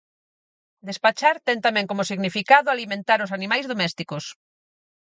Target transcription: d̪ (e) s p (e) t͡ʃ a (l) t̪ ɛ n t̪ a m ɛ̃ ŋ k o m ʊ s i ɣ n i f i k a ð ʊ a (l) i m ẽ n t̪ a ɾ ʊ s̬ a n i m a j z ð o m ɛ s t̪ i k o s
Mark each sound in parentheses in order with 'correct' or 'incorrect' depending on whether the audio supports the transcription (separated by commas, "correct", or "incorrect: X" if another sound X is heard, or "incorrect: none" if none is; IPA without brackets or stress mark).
correct, incorrect: a, incorrect: ɾ, correct